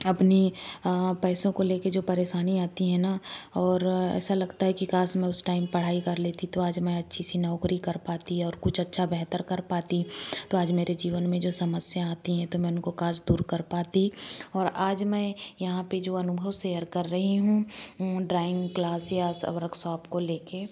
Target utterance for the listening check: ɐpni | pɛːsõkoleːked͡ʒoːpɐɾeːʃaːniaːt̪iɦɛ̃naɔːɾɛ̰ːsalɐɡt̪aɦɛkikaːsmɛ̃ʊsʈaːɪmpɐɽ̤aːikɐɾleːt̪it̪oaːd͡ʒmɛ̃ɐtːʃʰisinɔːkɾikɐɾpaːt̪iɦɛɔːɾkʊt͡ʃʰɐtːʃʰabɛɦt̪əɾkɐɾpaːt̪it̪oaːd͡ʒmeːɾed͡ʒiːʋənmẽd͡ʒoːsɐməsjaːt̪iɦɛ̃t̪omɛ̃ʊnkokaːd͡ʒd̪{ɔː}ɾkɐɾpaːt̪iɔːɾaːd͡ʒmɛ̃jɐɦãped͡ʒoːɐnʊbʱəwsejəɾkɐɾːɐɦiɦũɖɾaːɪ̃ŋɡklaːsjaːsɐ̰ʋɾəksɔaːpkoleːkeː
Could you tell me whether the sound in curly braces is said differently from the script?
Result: yes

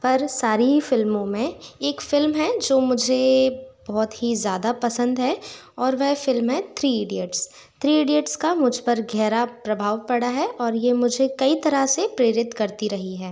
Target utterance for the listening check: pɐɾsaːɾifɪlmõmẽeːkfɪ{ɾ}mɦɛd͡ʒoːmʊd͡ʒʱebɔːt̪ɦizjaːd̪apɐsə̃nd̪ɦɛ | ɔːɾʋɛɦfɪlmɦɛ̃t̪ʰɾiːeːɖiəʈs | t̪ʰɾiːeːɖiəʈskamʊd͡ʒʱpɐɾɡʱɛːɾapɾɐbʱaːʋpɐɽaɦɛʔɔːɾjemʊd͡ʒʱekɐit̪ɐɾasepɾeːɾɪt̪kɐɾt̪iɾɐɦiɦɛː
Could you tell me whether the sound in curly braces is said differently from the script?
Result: yes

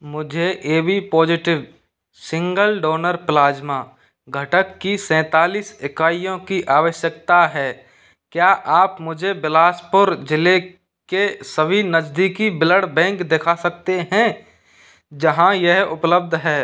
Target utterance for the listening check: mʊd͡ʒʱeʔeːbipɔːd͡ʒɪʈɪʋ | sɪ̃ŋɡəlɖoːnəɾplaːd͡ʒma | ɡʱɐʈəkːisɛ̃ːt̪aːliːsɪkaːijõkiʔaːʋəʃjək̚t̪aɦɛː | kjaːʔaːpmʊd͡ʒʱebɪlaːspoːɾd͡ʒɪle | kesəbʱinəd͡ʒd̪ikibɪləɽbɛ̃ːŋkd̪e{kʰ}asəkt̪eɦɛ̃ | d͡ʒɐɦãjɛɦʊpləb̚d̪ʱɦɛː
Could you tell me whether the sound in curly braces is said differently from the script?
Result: no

